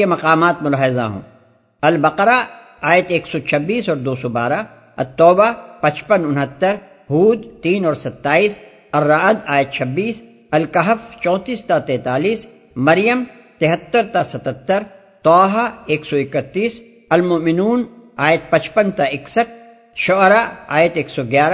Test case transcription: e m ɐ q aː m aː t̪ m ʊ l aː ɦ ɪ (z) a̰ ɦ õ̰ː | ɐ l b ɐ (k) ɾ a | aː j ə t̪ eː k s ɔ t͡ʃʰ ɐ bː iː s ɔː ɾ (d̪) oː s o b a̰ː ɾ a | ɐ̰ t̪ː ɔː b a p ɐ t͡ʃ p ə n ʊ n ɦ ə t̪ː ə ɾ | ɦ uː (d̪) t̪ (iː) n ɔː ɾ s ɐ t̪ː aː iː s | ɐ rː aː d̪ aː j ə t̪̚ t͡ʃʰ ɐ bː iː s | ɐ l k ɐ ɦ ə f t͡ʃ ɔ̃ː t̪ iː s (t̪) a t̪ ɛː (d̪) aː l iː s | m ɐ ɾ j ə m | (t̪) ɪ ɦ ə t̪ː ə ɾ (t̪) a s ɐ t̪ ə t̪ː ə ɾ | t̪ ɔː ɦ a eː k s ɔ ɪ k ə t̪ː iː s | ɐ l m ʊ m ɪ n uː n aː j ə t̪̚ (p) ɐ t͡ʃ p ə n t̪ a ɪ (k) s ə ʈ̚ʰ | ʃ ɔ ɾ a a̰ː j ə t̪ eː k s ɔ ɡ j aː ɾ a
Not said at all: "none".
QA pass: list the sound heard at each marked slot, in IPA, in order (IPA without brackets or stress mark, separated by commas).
z, q, d̪, d̪, iː, t̪, t̪, t̪, t̪, p, k